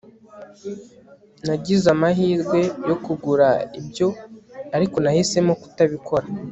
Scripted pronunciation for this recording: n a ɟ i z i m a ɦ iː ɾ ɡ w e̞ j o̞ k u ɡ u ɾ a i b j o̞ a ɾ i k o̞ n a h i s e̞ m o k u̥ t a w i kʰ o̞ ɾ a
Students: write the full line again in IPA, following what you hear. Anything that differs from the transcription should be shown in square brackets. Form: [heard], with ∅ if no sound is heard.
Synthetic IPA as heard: n a ɟ i z [a] m a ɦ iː ɾ ɡ w e̞ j o̞ k u ɡ u ɾ a i b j o̞ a ɾ i k o̞ n a h i s e̞ m o k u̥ t a [β] i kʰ o̞ ɾ a